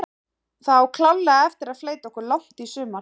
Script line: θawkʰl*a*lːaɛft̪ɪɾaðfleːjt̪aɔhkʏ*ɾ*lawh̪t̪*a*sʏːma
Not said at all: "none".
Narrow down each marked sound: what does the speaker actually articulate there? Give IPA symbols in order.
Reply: a, ɾ, i

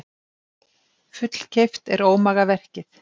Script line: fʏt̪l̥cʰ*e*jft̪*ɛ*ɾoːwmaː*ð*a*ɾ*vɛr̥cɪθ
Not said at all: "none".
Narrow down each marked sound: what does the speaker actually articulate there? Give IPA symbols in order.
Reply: e, ɛ, ɣ, none

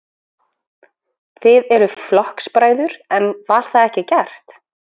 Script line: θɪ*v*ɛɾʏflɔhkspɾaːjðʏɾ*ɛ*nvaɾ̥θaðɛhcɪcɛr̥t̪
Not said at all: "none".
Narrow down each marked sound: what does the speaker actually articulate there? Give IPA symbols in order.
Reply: ð, ɛ

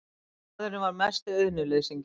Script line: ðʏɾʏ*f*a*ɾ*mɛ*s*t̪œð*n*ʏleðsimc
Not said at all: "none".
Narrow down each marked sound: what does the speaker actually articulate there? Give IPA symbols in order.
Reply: v, ɾ, s, n

